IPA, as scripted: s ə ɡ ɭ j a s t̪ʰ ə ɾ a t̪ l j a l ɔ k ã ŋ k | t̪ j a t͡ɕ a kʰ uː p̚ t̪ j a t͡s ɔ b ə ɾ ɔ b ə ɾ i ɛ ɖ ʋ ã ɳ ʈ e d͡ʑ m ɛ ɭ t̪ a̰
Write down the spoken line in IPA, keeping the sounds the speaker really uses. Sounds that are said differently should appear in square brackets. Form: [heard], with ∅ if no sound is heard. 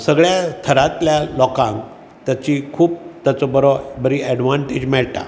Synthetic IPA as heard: s ə ɡ ɭ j a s t̪ʰ ə ɾ a t̪ l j a l ɔ k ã ŋ k | t̪ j a t͡ɕ [i] kʰ uː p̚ t̪ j a t͡s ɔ b ə ɾ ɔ b ə ɾ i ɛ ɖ ʋ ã ɳ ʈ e d͡ʑ m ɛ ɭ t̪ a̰